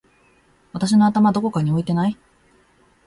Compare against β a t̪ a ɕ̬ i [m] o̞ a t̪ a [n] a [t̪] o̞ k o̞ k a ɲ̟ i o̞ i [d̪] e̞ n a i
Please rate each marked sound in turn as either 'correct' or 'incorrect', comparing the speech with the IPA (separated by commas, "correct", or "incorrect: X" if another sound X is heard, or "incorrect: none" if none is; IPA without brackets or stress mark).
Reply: incorrect: n, incorrect: m, incorrect: d̪, incorrect: t̪